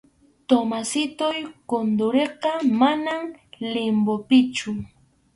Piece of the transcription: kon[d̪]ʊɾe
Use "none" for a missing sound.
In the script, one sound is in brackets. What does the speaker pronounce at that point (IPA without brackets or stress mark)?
d̪